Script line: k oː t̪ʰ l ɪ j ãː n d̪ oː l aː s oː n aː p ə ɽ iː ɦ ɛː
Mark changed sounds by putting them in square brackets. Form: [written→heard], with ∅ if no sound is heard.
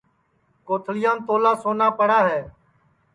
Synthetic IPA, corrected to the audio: k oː t̪ʰ l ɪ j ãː n [d̪→t̪] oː l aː s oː n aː p ə ɽ [iː→aː] ɦ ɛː